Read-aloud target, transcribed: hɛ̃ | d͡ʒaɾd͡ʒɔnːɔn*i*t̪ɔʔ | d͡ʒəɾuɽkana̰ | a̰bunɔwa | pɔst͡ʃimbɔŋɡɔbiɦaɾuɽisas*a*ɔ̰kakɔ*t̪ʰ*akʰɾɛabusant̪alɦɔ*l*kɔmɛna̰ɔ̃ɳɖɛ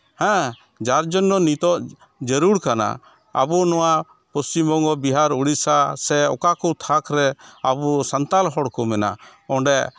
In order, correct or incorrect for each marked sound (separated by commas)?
correct, incorrect, correct, incorrect